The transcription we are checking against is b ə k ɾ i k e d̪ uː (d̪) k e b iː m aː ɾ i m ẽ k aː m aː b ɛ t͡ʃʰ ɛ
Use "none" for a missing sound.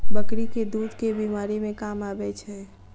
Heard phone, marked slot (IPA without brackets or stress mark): d̪